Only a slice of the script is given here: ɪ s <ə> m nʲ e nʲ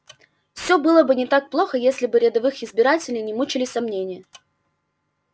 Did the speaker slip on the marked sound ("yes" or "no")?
yes